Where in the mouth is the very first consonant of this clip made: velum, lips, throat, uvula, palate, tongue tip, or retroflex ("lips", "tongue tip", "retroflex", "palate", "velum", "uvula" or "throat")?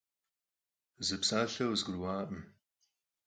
tongue tip